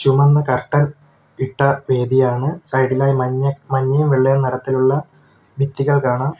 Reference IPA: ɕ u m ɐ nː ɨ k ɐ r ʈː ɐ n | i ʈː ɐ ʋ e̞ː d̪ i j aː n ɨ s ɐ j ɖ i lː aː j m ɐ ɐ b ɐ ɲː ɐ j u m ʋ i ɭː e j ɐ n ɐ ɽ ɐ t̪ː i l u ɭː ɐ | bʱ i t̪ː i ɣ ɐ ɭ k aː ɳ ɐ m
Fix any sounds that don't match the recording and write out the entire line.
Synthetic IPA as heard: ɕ u m ɐ nː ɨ k ɐ r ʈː ɐ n | i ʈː ɐ ʋ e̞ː d̪ i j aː ɳ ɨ s ɐ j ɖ i l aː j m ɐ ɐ m ɐ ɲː ɐ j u m ʋ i ɭː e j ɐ n ɐ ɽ ɐ t̪ː i l u ɭː ɐ | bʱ i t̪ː i ɣ ɐ ɭ k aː ɳ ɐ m